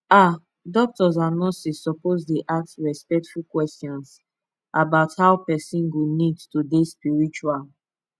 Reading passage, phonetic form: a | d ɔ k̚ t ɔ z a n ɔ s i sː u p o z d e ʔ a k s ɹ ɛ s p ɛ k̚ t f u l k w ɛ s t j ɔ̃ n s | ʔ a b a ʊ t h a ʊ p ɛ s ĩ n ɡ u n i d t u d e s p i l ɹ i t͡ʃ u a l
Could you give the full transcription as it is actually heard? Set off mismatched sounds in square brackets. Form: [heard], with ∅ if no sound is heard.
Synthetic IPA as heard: a | d ɔ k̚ t ɔ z a n ɔ s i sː [ɔ] p o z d e ʔ a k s ɹ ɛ s p ɛ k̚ t f u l k w ɛ s t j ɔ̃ n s | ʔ a b a ʊ t h a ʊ p ɛ s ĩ n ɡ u n i d t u d e s p i [∅] ɹ i t͡ʃ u a l